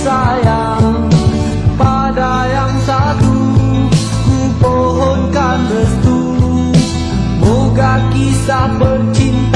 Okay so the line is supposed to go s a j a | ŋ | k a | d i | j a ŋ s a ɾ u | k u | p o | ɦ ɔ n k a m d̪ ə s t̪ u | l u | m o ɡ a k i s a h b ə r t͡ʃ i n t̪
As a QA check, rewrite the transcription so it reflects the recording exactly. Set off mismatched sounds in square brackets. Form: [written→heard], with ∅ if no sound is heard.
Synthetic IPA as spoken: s a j a | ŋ | [k→p] a | d [i→a] | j a ŋ s a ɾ u | k u | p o | ɦ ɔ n k a [m→n] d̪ ə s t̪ u | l u | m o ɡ a k i s a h b ə r t͡ʃ i n t̪